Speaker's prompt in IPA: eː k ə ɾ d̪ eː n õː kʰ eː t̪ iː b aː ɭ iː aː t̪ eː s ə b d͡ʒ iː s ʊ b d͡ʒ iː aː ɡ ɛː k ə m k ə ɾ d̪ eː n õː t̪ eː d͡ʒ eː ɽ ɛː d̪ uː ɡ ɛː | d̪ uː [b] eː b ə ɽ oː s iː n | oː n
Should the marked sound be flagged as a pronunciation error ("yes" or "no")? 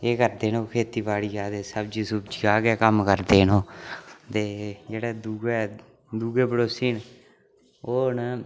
yes